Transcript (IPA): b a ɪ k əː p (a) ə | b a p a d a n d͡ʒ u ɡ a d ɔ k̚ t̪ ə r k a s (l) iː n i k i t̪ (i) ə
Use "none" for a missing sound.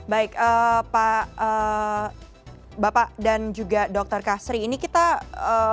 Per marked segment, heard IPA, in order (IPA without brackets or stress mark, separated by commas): a, ɾ, a